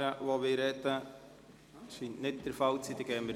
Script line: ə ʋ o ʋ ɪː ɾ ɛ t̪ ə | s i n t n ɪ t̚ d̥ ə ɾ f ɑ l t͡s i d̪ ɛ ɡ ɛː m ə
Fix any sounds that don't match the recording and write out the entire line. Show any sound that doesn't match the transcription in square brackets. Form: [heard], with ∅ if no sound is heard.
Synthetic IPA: ə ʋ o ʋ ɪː ɾ ɛ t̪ ə | [ʃ] i n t n ɪ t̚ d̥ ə ɾ f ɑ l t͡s i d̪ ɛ ɡ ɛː m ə